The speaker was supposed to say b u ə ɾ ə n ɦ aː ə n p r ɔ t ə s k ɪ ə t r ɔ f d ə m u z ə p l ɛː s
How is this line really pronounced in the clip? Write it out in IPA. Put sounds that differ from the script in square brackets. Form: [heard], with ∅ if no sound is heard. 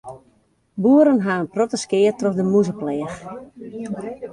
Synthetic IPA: b u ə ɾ ə n ɦ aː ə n p r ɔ t ə s k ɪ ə t r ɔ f d ə m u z ə p l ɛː [x]